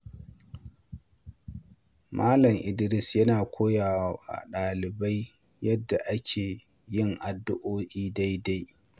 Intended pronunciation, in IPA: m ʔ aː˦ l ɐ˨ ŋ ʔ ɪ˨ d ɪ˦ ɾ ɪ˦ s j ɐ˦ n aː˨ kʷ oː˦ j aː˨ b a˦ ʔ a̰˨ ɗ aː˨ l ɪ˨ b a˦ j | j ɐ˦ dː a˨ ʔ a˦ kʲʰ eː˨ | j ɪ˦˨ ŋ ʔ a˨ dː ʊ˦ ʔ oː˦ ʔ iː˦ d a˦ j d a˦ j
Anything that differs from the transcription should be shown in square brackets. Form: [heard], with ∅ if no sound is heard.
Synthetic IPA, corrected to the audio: m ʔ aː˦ l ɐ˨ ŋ ʔ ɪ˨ d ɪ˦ ɾ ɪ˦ s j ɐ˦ n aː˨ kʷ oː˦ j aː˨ [w] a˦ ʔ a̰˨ ɗ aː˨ l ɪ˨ b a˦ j | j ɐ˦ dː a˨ ʔ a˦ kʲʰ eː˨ | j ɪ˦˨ ŋ ʔ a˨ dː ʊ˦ ʔ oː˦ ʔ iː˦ d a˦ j d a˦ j